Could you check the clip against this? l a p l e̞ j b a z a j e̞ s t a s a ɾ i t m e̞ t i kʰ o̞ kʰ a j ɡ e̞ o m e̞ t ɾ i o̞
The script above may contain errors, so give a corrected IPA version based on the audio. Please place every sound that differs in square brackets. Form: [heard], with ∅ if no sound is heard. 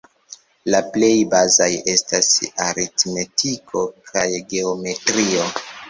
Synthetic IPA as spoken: l a p l e̞ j b a z a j e̞ s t a s a ɾ i t m e̞ t i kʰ o̞ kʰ a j ɡ e̞ o m e̞ t ɾ i o̞